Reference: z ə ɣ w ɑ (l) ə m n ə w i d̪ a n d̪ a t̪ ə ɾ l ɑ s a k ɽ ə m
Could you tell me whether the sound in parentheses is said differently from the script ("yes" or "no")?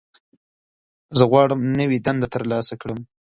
yes